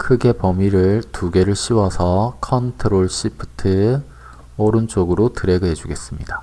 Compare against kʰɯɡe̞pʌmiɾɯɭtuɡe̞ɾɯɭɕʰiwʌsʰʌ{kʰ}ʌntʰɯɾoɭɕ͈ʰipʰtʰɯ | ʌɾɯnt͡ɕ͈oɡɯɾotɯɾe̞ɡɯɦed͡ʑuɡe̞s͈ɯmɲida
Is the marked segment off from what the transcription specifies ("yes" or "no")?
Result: no